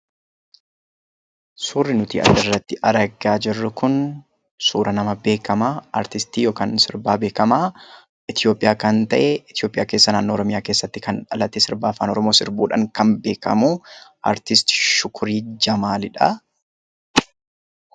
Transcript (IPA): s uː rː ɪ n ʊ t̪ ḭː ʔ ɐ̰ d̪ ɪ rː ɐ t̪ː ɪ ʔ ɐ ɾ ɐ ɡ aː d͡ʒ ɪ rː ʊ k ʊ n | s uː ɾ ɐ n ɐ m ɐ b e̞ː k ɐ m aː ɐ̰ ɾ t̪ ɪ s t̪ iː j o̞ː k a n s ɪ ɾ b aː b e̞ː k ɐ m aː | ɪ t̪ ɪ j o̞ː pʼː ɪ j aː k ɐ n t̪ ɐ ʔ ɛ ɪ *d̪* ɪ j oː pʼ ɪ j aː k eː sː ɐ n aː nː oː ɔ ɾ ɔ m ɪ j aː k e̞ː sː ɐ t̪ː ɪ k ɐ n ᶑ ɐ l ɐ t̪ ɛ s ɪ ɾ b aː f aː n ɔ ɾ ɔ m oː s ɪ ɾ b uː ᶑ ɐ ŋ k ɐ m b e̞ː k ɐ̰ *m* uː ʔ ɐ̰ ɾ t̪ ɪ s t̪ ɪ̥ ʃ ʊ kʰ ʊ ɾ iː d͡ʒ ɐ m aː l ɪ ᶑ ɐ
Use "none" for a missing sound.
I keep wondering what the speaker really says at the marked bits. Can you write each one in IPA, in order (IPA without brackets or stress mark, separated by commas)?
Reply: t̪, m